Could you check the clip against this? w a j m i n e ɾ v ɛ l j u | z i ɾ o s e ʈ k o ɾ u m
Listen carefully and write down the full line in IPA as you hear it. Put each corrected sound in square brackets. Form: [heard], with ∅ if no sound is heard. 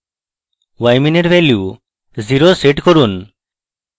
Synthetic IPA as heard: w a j m i n e ɾ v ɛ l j u | z i ɾ o s e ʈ k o ɾ u [n]

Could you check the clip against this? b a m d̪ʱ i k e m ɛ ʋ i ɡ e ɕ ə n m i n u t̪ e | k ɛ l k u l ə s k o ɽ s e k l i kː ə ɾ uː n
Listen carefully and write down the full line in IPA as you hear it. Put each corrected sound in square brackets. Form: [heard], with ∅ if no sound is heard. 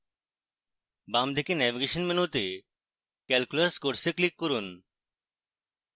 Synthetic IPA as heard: b a m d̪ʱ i k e [n] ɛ ʋ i ɡ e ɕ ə n m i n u t̪ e | k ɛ l k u l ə s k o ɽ s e k l i kː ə ɾ uː n

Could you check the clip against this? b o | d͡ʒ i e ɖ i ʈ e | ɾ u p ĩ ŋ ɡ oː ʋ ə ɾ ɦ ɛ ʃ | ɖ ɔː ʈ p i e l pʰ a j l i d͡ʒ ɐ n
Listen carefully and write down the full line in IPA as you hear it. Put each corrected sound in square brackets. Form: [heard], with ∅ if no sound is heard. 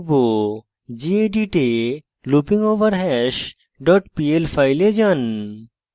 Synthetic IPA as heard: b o | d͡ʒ i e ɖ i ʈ e | [l] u p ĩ ŋ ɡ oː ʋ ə ɾ ɦ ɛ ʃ | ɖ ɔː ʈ p i e l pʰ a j l [e] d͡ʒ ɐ n

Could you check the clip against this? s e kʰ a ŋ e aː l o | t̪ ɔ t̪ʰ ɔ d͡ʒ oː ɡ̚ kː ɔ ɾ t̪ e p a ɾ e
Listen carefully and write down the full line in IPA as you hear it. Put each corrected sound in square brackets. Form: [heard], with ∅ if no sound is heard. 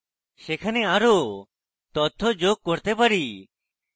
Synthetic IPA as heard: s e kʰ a [n] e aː [ɾ] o | t̪ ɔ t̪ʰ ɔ d͡ʒ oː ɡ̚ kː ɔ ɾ t̪ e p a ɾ [i]

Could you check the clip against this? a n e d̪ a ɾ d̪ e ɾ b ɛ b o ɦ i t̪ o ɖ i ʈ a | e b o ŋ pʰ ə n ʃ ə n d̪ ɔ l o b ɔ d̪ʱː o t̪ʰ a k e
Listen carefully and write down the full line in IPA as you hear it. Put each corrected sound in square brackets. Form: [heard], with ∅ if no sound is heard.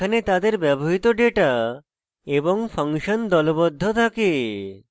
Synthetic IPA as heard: a n e [t̪] a [∅] d̪ e ɾ b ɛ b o ɦ i t̪ o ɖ [e] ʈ a | e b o ŋ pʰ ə [ŋ] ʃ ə n d̪ ɔ l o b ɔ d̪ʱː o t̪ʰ a k e

